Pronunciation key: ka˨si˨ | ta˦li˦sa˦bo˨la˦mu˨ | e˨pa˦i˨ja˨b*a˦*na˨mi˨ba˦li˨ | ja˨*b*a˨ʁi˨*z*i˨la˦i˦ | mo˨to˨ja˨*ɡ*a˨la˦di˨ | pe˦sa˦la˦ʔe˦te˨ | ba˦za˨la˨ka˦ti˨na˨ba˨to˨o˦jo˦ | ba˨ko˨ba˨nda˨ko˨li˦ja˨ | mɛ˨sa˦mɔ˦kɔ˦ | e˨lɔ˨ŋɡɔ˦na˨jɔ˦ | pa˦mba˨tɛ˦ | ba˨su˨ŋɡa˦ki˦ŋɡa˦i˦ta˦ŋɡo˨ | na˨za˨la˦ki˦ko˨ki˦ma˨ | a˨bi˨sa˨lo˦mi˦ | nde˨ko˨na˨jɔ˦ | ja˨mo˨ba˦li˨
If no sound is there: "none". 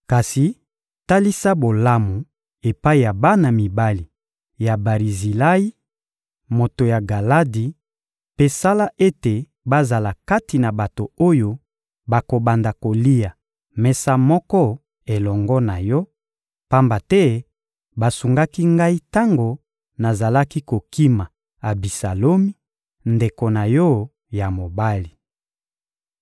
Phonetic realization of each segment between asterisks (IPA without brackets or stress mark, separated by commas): a˦, b, z, ɡ